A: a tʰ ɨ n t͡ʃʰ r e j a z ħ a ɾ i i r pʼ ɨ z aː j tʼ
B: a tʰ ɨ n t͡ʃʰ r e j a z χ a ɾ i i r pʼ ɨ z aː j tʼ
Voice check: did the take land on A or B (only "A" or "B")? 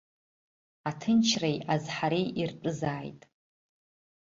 A